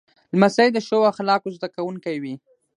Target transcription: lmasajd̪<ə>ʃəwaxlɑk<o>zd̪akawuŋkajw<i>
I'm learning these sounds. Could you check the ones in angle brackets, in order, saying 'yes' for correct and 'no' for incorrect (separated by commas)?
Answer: yes, yes, yes